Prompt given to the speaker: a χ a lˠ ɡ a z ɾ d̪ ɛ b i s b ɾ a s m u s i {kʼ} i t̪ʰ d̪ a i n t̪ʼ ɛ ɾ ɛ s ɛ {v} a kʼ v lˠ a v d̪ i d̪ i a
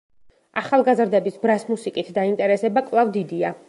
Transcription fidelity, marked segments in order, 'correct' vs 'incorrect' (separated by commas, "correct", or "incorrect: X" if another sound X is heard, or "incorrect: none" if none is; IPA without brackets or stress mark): correct, incorrect: b